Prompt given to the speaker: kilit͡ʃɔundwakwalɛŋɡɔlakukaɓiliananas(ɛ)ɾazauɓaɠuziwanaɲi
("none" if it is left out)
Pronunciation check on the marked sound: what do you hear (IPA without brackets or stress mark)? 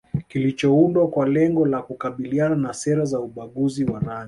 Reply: ɛ